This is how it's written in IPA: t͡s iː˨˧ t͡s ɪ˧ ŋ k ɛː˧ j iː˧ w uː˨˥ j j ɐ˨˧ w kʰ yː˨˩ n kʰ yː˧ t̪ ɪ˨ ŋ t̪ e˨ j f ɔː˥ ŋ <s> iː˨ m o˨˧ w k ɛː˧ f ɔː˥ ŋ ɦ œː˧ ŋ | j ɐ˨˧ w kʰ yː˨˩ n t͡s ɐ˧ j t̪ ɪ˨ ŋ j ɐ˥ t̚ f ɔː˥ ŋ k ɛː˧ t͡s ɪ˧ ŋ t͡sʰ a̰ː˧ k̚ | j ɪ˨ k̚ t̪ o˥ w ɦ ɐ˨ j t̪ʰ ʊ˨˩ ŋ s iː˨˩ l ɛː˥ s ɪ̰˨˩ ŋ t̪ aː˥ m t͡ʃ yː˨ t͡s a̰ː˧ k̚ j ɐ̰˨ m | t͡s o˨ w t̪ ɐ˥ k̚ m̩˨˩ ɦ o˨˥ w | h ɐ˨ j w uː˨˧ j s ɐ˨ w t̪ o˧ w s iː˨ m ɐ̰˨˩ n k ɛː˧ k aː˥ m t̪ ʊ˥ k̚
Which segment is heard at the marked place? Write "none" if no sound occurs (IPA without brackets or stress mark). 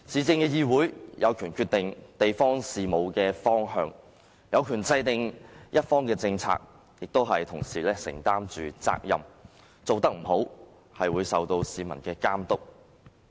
s